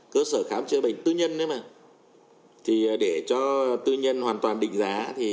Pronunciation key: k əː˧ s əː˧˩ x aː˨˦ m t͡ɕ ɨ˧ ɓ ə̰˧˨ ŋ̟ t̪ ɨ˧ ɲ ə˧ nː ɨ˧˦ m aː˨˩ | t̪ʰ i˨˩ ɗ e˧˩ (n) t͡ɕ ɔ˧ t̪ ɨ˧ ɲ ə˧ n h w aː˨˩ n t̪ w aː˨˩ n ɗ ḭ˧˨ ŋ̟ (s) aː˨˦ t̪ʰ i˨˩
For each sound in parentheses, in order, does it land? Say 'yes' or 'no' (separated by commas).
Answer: no, no